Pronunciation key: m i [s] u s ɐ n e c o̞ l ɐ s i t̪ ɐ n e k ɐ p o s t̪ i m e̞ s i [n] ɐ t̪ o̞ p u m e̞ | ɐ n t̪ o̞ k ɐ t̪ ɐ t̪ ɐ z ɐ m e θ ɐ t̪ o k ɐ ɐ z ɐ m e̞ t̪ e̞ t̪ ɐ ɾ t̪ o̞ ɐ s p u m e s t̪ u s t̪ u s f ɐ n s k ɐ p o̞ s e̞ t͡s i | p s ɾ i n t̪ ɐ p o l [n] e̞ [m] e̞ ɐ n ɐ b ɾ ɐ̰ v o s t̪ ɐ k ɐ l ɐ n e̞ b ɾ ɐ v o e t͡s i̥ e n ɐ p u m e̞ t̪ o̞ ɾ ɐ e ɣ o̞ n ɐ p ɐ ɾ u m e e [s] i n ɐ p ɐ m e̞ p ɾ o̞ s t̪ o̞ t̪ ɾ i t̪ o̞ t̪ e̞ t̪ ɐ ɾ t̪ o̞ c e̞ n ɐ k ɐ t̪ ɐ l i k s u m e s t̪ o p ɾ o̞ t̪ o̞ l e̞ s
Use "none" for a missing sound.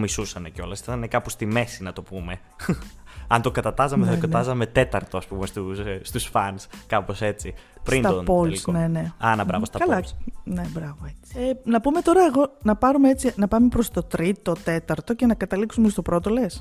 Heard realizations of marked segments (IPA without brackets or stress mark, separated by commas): s, n, n, n, t͡s